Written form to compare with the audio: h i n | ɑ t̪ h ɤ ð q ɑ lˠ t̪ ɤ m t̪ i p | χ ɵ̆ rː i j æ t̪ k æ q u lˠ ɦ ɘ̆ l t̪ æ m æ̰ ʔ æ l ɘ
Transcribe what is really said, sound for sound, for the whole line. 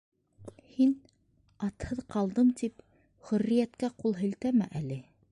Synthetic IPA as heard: h i n | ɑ t̪ h ɤ ð q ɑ lˠ d̪ ɤ m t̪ i p | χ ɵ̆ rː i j æ t̪ k æ q u lˠ ɦ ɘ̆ l t̪ æ m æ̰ ʔ æ l ɘ